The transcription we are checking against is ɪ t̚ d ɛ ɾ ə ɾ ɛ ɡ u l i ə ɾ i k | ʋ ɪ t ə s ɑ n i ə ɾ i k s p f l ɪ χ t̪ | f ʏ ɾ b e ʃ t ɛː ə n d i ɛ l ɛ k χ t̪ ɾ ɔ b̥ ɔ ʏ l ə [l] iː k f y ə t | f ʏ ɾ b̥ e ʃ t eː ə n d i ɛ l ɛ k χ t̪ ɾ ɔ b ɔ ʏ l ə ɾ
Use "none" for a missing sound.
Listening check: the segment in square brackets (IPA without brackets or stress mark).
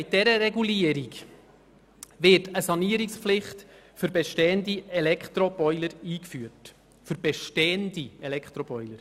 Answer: ɾ